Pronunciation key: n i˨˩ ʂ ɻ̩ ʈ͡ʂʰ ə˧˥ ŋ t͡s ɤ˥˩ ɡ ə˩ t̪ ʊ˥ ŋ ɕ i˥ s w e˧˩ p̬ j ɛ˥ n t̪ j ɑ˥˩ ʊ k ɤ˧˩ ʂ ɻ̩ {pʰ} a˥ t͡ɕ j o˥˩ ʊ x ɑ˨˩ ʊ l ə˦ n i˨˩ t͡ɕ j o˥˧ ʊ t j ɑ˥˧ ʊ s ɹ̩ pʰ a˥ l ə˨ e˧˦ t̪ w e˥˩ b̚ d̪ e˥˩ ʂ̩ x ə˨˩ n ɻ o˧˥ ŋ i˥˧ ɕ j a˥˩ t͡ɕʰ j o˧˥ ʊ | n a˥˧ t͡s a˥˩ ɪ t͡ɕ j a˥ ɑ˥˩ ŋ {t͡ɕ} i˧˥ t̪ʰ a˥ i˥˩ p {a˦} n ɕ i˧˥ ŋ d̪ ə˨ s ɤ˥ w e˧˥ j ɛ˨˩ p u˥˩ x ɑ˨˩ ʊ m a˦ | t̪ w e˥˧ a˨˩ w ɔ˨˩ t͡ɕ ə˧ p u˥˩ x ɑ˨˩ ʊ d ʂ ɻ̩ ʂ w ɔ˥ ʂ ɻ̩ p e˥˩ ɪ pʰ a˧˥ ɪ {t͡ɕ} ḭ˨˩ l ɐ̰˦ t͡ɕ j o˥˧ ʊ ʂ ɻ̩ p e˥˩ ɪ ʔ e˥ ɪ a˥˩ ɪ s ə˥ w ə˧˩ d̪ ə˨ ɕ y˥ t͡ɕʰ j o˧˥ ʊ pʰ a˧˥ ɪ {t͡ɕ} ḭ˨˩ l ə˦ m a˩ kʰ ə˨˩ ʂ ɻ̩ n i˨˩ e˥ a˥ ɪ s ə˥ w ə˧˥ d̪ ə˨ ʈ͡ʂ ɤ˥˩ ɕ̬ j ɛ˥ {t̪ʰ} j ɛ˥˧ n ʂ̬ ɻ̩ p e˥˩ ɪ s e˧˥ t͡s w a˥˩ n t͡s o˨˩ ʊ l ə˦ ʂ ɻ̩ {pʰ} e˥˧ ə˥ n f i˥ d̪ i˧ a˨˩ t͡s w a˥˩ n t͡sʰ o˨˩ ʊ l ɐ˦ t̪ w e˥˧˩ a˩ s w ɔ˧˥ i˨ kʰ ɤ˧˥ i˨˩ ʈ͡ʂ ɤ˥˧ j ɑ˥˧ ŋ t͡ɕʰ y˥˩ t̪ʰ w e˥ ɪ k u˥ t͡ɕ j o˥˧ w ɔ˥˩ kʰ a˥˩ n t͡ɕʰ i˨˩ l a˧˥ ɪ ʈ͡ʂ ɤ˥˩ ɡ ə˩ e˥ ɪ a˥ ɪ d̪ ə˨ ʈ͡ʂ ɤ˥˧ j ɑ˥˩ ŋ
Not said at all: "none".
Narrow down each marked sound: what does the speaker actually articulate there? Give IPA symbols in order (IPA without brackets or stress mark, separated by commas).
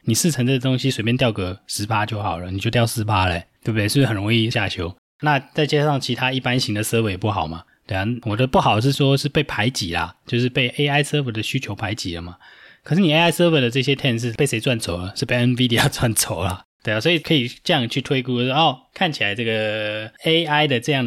pʰ, t͡ɕʰ, a˦, t͡ɕ, t͡ɕ, t̪ʰ, p